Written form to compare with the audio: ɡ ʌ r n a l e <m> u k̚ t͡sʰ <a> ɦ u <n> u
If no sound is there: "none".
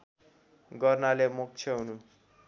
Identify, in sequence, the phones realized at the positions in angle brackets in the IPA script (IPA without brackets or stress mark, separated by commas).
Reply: m, ʌ, n